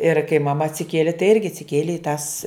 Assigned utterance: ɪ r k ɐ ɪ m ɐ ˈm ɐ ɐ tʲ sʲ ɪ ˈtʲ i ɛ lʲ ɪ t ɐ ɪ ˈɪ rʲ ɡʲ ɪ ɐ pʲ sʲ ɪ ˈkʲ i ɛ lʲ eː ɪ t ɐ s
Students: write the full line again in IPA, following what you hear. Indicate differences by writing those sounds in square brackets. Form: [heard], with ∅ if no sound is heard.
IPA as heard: ɪ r k ɐ ɪ m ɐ ˈm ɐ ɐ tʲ sʲ ɪ [ˈkʲ] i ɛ lʲ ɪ t ɐ ɪ ˈɪ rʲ ɡʲ ɪ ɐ [tʲ] sʲ ɪ ˈkʲ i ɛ lʲ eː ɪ t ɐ s